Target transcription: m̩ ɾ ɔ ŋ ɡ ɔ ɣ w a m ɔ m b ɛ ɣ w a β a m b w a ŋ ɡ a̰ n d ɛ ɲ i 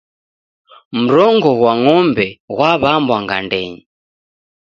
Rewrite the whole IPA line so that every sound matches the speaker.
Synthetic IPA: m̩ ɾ ɔ ŋ ɡ ɔ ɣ w a ŋ ɔ m b ɛ ɣ w a β a m b w a ŋ ɡ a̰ n d ɛ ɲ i